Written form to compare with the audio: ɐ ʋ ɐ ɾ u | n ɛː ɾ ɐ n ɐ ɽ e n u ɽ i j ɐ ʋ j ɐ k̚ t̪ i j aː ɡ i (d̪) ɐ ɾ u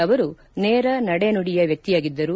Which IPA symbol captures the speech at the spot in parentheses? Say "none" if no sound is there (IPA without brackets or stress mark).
d̪ː